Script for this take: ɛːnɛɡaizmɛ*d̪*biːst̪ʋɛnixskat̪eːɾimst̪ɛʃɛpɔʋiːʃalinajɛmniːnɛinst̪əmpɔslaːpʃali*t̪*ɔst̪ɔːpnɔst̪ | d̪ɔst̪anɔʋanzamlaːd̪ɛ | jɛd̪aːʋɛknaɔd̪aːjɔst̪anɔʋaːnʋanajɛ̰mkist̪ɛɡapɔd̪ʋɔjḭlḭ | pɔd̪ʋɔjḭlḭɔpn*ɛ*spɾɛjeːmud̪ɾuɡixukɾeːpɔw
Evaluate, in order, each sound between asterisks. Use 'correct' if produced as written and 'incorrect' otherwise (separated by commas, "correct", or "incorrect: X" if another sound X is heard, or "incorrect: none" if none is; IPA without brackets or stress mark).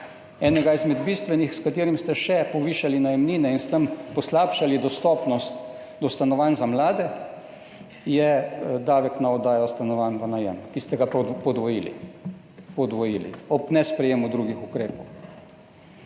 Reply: correct, incorrect: d̪, correct